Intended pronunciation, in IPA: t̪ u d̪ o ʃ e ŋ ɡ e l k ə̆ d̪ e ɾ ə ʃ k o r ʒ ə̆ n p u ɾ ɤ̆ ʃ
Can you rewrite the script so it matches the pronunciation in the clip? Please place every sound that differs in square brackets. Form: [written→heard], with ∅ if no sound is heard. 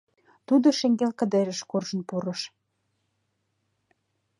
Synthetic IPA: t̪ u d̪ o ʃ e ŋ ɡ e l k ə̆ d̪ e ɾ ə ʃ k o r ʒ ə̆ n p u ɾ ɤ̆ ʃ